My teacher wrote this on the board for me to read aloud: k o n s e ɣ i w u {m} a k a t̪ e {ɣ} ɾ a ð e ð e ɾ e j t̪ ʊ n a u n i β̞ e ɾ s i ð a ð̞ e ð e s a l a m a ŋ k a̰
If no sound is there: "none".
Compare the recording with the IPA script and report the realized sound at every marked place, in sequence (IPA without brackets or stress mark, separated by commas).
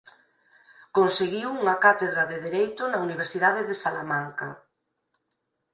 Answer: ŋ, ð